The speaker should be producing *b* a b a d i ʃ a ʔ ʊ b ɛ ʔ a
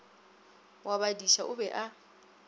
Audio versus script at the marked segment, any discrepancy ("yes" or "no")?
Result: yes